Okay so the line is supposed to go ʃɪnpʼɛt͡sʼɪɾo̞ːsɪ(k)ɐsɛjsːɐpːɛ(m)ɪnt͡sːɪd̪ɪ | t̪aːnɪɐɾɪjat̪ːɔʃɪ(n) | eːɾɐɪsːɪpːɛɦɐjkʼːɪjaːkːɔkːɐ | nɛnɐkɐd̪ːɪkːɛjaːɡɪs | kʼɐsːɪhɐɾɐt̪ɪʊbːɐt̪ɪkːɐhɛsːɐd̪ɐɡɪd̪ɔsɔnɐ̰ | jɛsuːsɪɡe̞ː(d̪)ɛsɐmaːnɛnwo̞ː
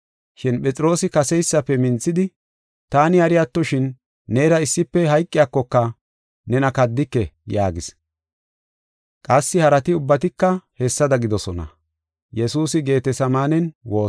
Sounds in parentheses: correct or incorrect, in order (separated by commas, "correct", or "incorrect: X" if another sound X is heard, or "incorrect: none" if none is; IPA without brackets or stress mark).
correct, correct, incorrect: nː, incorrect: t̪